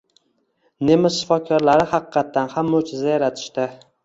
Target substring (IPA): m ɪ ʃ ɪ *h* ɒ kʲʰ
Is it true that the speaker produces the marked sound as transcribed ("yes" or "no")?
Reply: no